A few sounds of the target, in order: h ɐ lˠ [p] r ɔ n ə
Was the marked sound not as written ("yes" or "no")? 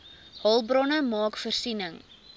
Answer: yes